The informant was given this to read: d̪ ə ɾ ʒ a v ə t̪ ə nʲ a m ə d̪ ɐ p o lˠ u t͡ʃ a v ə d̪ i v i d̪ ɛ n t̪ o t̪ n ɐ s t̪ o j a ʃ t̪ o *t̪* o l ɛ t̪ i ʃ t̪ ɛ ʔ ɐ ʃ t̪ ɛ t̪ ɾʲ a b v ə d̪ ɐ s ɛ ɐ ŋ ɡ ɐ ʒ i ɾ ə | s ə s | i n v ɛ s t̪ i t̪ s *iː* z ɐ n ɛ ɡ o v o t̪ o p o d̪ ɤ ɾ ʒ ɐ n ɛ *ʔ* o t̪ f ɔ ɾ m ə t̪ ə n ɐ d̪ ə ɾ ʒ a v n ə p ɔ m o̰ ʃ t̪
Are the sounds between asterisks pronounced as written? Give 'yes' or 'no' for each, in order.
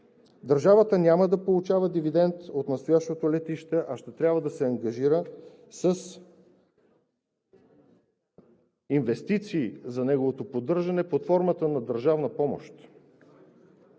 yes, yes, no

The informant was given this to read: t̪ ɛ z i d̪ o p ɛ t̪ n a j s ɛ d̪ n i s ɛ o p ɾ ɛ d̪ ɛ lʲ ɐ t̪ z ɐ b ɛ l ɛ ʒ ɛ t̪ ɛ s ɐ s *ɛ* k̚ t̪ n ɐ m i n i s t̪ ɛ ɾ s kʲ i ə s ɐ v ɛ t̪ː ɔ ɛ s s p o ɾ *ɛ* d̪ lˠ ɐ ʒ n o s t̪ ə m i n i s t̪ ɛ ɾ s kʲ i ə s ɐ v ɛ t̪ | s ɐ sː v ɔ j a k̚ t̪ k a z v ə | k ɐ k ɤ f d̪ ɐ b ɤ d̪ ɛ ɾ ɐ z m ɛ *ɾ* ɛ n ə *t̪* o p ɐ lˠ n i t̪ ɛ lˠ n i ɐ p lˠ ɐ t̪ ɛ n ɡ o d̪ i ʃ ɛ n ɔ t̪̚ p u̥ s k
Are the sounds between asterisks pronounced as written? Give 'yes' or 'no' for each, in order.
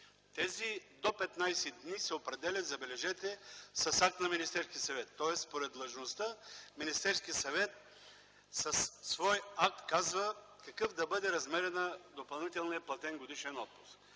no, yes, yes, no

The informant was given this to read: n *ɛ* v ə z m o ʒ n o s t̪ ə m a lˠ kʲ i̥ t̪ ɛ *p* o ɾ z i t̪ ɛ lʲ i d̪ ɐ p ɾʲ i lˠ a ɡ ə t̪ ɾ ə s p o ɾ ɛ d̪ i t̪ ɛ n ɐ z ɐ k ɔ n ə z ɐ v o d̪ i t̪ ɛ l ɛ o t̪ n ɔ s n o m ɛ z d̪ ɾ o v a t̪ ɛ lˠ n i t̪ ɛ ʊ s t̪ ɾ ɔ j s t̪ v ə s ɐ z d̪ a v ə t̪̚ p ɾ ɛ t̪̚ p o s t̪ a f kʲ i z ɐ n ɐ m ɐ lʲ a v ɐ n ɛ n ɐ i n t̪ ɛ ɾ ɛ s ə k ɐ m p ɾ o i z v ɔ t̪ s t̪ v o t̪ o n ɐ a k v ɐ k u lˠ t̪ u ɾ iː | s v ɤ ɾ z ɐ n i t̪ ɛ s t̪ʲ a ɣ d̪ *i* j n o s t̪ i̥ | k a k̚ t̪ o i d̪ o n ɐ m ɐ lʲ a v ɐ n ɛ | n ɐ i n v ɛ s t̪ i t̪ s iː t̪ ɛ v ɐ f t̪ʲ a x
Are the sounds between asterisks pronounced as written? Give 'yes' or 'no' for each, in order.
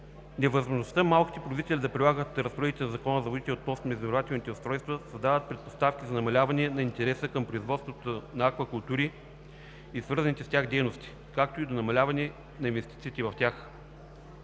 yes, yes, no

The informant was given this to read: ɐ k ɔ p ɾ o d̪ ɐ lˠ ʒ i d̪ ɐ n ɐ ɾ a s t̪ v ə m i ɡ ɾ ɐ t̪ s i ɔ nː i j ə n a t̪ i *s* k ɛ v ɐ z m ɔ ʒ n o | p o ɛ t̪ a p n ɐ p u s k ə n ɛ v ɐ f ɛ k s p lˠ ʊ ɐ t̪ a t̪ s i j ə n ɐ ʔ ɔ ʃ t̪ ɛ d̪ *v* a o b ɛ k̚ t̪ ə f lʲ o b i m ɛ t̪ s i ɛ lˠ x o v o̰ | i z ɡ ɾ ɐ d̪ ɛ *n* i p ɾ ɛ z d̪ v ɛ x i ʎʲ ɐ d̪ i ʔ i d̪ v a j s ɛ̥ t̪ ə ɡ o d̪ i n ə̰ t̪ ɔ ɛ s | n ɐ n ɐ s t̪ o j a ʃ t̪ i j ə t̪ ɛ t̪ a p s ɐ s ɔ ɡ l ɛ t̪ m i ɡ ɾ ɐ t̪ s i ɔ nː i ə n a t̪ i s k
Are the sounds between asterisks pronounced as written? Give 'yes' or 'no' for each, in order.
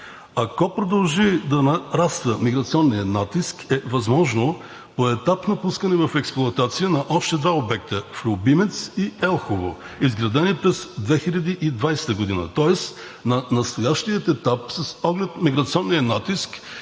yes, yes, yes

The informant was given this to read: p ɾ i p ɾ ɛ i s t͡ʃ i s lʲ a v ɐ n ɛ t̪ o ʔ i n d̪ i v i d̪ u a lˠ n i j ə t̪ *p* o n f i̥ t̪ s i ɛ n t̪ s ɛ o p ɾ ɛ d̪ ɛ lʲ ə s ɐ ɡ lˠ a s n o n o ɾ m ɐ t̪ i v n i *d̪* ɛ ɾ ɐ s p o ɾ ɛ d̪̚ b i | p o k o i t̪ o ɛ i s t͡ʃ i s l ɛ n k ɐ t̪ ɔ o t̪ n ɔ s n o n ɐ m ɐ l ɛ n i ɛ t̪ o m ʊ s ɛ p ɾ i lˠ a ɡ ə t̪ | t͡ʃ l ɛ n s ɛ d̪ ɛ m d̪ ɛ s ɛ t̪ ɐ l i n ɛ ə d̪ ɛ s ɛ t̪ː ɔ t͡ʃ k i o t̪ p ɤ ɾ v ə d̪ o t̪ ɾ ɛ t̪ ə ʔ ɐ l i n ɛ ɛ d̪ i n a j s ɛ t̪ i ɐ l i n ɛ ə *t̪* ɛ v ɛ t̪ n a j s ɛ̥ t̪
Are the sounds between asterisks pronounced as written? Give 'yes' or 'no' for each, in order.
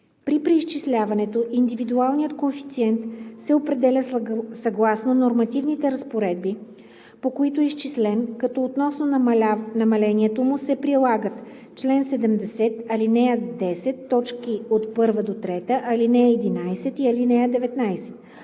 no, no, no

